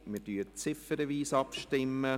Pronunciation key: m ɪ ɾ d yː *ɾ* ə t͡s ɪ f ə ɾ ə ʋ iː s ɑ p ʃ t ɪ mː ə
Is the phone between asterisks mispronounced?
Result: yes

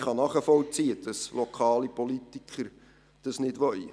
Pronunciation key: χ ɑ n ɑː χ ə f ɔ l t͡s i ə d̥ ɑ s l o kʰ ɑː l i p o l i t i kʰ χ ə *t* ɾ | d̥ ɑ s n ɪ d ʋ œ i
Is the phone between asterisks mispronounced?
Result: yes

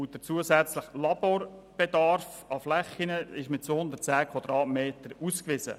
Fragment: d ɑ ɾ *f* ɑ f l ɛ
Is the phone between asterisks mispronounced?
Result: no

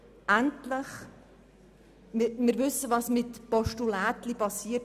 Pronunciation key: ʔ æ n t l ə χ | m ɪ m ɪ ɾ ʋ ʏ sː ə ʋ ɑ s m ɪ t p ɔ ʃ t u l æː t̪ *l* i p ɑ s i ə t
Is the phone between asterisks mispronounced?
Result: no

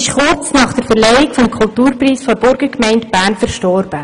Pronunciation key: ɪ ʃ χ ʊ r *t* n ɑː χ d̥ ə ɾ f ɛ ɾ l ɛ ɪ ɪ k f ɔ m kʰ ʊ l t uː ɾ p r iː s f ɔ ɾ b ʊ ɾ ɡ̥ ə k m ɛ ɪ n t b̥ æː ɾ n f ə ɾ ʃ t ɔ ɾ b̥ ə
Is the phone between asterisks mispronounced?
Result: yes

